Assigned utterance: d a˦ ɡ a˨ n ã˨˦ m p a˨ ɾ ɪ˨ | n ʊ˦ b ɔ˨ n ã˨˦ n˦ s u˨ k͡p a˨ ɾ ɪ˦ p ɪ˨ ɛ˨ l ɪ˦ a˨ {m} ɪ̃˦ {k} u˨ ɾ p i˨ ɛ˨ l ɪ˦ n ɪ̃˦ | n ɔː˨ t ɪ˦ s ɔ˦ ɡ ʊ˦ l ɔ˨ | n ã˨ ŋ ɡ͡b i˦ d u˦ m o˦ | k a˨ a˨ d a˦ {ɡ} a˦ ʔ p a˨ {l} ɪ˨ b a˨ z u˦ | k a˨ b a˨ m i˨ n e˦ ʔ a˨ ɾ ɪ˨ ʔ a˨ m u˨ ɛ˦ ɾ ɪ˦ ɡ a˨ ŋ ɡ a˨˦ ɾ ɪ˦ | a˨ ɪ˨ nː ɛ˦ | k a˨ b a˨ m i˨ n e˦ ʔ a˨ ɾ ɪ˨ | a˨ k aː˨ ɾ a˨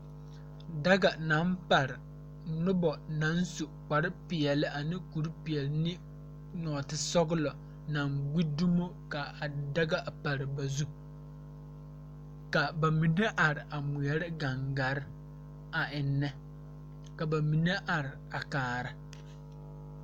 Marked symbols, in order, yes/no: no, yes, yes, no

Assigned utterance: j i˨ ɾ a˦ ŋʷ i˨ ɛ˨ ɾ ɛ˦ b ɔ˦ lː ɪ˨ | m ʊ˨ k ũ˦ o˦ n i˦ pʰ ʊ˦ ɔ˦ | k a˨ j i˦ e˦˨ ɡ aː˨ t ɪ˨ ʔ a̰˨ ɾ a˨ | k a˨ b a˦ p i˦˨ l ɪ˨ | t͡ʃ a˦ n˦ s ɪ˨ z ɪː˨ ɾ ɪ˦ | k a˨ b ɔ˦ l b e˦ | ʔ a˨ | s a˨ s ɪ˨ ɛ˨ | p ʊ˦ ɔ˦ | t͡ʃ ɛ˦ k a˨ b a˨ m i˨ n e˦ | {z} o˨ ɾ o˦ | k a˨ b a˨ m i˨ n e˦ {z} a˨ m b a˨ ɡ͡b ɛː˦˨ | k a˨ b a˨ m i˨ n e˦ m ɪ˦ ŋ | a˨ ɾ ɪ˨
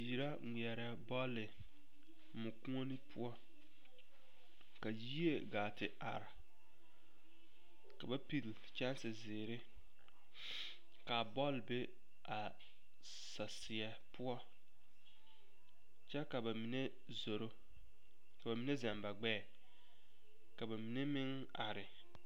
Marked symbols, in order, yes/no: yes, yes

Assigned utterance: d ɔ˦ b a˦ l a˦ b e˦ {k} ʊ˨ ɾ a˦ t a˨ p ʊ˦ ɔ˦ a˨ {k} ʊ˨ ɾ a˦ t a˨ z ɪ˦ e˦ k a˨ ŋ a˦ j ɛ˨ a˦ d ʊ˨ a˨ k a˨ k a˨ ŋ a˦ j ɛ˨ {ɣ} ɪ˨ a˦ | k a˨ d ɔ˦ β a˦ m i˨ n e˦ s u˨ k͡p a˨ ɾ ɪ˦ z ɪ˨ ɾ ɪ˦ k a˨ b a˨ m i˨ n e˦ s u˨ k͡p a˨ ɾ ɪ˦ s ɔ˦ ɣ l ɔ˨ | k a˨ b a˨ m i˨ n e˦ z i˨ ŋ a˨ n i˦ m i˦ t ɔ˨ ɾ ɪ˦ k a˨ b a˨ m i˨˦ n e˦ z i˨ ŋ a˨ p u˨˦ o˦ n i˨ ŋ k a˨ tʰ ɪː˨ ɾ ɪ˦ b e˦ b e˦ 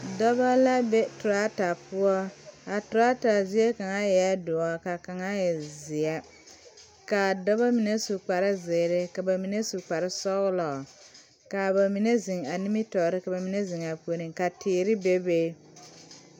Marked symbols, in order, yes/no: no, no, no

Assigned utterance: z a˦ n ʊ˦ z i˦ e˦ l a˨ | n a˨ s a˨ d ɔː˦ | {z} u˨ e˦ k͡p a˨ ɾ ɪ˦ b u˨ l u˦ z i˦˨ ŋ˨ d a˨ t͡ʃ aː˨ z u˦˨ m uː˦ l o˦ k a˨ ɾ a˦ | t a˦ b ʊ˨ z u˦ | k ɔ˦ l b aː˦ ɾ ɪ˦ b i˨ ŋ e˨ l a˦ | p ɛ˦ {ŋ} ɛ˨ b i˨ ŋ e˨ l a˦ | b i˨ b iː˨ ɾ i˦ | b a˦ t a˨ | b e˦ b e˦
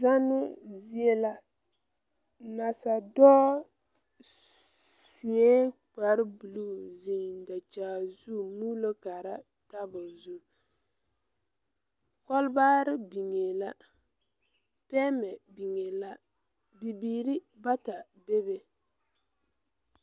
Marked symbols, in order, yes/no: no, no

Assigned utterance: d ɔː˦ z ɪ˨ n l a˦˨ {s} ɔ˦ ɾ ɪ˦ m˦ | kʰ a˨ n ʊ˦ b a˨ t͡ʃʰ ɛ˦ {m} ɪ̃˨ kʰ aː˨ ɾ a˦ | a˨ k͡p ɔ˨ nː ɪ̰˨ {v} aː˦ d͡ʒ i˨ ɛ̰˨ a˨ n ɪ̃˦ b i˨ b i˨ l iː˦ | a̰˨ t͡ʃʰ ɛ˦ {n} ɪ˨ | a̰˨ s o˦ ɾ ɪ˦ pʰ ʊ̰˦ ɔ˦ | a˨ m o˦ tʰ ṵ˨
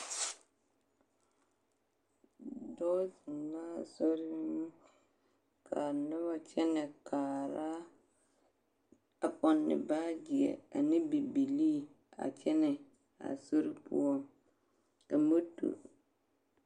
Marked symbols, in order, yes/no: yes, no, no, yes

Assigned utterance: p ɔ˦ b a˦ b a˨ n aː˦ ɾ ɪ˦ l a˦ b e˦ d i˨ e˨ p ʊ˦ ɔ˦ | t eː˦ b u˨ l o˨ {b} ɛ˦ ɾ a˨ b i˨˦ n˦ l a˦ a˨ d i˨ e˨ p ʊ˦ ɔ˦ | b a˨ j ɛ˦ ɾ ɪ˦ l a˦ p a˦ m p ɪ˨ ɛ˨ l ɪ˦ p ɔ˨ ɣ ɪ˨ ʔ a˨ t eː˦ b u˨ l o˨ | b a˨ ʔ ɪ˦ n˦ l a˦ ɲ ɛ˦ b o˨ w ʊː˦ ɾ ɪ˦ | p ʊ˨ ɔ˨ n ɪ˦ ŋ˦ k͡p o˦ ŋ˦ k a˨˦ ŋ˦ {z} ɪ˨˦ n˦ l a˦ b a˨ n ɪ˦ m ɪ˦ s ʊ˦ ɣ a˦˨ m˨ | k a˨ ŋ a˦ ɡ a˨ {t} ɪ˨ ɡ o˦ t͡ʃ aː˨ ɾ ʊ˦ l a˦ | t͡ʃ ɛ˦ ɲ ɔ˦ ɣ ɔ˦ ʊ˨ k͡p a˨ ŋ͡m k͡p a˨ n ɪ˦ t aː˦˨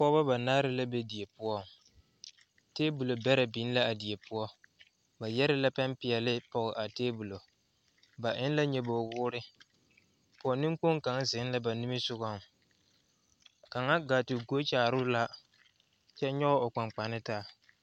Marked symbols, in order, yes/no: yes, yes, yes

